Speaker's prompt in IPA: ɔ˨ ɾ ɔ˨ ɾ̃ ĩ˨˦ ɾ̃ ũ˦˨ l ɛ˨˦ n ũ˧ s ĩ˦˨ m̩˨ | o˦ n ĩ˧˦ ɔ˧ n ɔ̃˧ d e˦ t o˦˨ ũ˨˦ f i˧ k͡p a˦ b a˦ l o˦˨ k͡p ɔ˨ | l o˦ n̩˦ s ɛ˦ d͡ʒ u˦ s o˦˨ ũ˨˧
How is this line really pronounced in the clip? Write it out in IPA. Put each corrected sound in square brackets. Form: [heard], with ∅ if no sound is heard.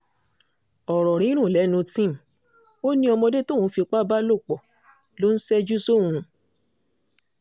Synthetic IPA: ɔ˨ ɾ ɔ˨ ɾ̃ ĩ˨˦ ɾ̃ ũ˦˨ l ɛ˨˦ n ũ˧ [t] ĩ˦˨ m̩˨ | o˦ n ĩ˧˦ ɔ˧ [m] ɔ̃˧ d e˦ t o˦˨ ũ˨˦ f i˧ k͡p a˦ b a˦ l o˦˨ k͡p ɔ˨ | l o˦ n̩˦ s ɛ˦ d͡ʒ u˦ s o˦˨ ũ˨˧